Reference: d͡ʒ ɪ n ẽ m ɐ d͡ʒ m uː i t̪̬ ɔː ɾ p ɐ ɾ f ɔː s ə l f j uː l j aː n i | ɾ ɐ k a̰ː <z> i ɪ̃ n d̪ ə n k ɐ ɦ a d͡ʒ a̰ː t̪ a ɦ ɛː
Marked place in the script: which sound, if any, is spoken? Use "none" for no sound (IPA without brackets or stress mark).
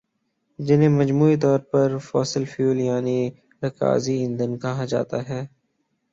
z